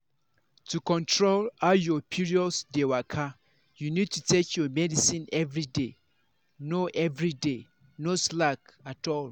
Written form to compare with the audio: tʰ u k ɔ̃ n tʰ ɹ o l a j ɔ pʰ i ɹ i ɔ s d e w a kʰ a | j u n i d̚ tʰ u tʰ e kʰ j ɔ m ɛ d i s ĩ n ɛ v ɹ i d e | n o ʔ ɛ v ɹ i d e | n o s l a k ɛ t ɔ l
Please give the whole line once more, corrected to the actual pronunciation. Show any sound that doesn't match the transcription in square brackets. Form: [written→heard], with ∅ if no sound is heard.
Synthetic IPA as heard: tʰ u k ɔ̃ n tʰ ɹ o l a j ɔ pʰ i ɹ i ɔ s d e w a kʰ a | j u n i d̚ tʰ u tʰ e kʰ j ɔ m ɛ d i s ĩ n ɛ v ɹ i d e | n o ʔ ɛ v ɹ i d e | n o s l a k [ɛ→a] t ɔ l